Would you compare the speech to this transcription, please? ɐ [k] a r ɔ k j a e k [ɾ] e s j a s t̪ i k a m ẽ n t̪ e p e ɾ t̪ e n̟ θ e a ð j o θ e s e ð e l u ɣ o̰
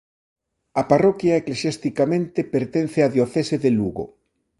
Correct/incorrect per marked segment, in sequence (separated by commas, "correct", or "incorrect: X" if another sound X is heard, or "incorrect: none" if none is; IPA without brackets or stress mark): incorrect: p, incorrect: l